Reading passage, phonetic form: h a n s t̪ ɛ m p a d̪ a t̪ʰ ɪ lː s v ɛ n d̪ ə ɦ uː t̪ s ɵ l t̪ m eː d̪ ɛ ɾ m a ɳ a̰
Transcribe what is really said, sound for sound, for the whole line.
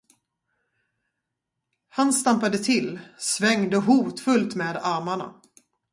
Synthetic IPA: h a n s t̪ a m p a d̪ ə t̪ʰ ɪ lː s v ɛ ŋ d̪ ə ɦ uː t̪ f ɵ l t̪ m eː d̪ a ɾ m a ɳ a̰